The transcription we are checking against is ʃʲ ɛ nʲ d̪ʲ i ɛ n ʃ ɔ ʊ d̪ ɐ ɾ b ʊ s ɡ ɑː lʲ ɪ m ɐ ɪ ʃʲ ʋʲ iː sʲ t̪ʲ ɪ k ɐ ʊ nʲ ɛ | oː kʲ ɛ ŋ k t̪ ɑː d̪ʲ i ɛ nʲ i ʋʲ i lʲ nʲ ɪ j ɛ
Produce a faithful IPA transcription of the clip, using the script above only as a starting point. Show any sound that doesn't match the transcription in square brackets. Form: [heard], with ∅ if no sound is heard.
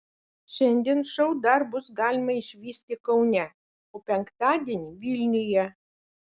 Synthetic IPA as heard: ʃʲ ɛ nʲ d̪ʲ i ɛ n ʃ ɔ ʊ d̪ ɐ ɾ b ʊ s ɡ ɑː lʲ ɪ m ɐ ɪ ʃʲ ʋʲ iː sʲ t̪ʲ ɪ k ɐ ʊ nʲ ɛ | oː [pʲ] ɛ ŋ k t̪ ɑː d̪ʲ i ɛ nʲ i ʋʲ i lʲ nʲ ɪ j ɛ